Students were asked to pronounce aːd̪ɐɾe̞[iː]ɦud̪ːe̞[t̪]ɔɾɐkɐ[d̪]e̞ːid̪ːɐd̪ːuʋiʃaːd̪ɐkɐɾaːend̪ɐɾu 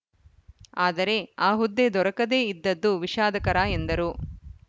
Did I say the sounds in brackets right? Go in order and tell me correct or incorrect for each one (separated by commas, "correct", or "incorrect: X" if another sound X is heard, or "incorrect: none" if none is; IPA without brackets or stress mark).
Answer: incorrect: aː, incorrect: d̪, correct